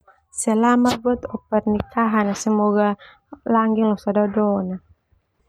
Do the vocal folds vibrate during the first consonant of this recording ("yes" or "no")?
no